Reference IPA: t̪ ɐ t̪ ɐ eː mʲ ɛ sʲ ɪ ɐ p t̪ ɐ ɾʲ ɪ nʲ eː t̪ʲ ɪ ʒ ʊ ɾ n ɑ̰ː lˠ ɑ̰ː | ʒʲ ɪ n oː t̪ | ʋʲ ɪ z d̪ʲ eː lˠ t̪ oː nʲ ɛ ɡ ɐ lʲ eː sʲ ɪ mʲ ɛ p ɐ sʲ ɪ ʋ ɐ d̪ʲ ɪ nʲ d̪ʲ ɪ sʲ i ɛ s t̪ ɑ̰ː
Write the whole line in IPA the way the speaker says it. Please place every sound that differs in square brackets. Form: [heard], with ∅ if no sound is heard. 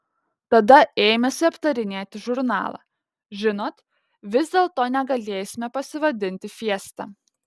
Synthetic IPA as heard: t̪ ɐ [d̪] ɐ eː mʲ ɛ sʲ ɪ ɐ p t̪ ɐ ɾʲ ɪ nʲ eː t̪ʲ ɪ ʒ ʊ ɾ n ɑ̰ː lˠ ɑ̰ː | ʒʲ ɪ n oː t̪ | ʋʲ ɪ z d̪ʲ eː lˠ t̪ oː nʲ ɛ ɡ ɐ lʲ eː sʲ ɪ mʲ ɛ p ɐ sʲ ɪ ʋ ɐ d̪ʲ ɪ nʲ [t̪ʲ] ɪ [fʲ] i ɛ s t̪ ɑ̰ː